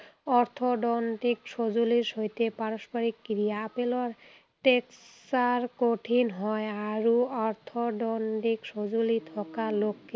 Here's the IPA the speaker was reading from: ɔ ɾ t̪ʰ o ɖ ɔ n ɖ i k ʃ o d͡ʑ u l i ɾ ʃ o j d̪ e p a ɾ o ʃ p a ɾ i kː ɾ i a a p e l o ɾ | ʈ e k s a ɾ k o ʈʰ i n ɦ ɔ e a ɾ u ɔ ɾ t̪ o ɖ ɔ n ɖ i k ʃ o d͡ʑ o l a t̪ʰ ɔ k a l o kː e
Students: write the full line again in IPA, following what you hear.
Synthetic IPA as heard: ɔ ɾ t̪ʰ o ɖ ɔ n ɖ i k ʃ o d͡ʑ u l i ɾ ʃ o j t̪ e p a ɾ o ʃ p a ɾ i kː ɾ i a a p e l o ɾ | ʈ e k s a ɾ k o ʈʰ i n ɦ ɔ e a ɾ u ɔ ɾ t̪ʰ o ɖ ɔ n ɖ i k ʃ o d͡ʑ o l i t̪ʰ ɔ k a l o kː e